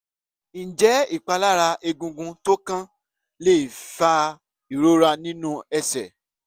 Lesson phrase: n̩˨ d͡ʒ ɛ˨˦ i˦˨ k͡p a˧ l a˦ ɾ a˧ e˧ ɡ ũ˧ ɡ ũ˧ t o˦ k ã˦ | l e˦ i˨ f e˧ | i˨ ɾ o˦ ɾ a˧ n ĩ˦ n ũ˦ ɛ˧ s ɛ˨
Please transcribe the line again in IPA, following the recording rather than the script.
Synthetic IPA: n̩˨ d͡ʒ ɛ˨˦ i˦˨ k͡p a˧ l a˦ ɾ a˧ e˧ ɡ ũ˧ ɡ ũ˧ t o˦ k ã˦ | l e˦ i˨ f a˧ | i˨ ɾ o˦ ɾ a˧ n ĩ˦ n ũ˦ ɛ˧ s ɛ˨